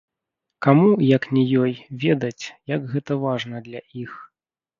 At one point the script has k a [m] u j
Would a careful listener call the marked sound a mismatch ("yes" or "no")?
no